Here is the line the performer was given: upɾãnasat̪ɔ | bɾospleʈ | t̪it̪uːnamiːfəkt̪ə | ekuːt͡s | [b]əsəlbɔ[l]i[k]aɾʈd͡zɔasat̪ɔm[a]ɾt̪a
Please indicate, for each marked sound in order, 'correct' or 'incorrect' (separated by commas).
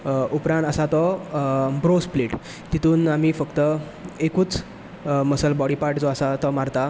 incorrect, incorrect, incorrect, correct